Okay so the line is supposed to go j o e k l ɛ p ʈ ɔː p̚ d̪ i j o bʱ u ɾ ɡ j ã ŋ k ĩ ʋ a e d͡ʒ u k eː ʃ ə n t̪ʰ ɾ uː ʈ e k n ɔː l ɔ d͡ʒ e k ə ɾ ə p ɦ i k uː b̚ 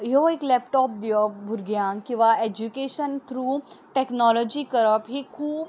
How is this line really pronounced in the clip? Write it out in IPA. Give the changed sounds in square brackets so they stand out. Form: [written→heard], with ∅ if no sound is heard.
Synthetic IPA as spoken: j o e k l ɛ p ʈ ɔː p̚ d̪ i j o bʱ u ɾ ɡ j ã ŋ k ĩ ʋ a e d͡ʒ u k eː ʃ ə n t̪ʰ ɾ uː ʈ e k n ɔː l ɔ d͡ʒ [e→i] k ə ɾ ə p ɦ i [k→kʰ] uː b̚

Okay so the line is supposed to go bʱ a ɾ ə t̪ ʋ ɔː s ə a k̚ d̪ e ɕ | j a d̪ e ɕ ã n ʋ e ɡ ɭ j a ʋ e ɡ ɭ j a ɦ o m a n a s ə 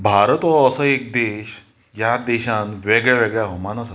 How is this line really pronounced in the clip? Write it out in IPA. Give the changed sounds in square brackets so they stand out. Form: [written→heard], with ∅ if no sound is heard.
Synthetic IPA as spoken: bʱ a ɾ ə t̪ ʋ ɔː s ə [a→e] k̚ d̪ e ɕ | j a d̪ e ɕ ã n ʋ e ɡ ɭ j a ʋ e ɡ ɭ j a ɦ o m a n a s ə

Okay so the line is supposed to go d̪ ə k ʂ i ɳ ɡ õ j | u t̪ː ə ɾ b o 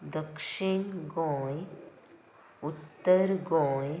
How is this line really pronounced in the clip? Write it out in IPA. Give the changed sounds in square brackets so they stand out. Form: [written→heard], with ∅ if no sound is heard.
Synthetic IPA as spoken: d̪ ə k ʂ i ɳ ɡ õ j | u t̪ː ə ɾ [b→ɡ] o

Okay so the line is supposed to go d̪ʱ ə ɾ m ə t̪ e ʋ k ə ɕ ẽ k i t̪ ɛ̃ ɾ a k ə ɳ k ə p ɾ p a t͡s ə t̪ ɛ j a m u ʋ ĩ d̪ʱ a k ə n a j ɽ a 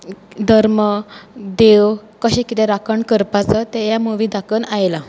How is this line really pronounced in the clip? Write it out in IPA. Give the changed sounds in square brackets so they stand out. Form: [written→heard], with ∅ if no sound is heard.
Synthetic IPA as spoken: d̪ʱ ə ɾ m ə [t̪→d̪] e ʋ k ə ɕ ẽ k i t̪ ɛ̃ ɾ a k ə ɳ k ə [p→∅] ɾ p a t͡s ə t̪ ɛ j a m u ʋ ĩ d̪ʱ a k ə n a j [ɽ→l] a

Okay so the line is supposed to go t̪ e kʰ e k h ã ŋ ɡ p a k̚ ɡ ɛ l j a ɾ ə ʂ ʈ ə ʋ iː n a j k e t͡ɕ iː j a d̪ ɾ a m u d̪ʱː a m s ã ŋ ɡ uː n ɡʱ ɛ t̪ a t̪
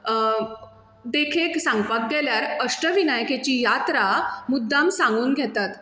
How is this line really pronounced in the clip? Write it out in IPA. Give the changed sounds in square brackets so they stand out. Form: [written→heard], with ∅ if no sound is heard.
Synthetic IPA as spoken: [t̪→d̪] e kʰ e k [h→s] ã ŋ ɡ p a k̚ ɡ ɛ l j a ɾ ə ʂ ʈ ə ʋ [iː→i] n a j k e t͡ɕ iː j a [d̪→t̪] ɾ a m u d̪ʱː a m s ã ŋ ɡ uː n ɡʱ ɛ t̪ a t̪

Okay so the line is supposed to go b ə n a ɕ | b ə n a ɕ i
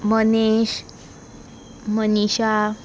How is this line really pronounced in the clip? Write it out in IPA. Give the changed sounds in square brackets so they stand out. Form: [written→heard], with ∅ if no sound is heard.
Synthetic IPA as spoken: [b→m] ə n [a→e] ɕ | [b→m] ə n [a→i] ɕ [i→a]

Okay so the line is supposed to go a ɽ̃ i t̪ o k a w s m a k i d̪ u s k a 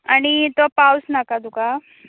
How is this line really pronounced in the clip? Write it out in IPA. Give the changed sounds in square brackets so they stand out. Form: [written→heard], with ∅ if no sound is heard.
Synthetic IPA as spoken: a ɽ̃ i t̪ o [k→p] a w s [m→n] a k [i→a] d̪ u [s→∅] k a

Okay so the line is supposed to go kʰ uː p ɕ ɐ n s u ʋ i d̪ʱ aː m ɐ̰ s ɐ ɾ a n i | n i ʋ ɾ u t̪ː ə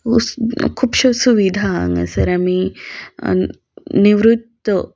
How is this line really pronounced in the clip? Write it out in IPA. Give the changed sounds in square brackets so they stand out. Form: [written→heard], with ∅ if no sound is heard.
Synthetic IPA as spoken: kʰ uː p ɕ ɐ [n→∅] s u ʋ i d̪ʱ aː [m→ŋ] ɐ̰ s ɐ ɾ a [n→m] i | n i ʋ ɾ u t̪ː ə

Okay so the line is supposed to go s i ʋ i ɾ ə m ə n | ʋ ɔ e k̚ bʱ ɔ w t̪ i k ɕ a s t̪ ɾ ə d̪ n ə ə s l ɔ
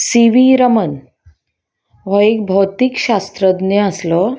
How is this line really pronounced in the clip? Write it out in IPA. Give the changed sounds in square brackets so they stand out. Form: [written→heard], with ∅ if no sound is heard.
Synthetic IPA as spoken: s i ʋ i ɾ ə m ə n | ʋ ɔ e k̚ bʱ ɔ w t̪ i k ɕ a s t̪ ɾ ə d̪ n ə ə s l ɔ

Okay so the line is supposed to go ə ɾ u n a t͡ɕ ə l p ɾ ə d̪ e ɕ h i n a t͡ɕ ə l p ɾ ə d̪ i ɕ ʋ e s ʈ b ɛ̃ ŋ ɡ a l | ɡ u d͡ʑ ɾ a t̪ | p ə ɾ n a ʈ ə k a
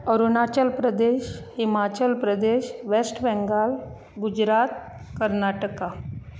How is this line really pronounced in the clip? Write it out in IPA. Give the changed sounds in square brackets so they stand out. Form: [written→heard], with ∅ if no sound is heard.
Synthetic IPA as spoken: ə ɾ u n a t͡ɕ ə l p ɾ ə d̪ e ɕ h i [n→m] a t͡ɕ ə l p ɾ ə d̪ [i→e] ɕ ʋ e s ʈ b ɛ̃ ŋ ɡ a l | ɡ u d͡ʑ ɾ a t̪ | [p→k] ə ɾ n a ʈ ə k a

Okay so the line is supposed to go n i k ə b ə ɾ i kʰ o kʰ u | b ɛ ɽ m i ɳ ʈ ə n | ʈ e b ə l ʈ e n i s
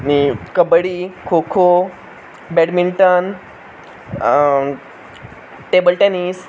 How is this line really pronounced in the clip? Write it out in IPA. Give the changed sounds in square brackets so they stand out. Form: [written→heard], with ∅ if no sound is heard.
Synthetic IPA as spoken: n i k ə b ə [ɾ→ɽ] i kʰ o kʰ [u→o] | b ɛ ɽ m i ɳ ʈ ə n | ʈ e b ə l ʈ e n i s

